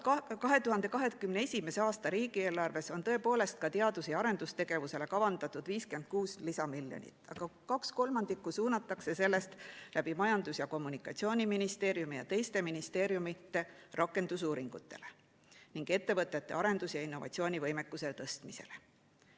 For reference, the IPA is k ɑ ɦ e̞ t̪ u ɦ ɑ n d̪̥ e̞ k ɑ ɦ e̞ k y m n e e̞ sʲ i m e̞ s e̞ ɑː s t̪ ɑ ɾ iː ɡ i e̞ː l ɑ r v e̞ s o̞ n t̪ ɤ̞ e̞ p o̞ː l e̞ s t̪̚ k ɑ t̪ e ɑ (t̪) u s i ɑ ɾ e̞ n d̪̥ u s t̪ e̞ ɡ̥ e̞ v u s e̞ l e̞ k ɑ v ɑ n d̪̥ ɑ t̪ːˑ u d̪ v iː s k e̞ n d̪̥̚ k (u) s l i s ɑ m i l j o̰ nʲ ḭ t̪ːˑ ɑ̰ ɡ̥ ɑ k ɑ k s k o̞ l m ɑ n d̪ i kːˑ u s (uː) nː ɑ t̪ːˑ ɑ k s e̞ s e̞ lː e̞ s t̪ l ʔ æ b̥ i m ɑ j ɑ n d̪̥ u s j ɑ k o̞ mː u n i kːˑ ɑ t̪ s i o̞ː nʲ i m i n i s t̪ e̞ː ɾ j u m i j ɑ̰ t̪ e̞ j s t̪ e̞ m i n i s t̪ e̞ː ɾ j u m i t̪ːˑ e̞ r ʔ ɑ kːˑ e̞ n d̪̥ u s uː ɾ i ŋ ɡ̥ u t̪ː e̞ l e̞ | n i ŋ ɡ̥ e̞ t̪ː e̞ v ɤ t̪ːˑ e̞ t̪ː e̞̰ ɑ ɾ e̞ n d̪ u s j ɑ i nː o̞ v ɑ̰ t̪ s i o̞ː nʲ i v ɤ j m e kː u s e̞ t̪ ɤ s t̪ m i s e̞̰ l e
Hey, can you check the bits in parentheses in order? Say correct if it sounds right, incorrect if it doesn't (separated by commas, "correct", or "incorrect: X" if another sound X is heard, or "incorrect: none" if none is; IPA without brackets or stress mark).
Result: incorrect: d̪, incorrect: uː, correct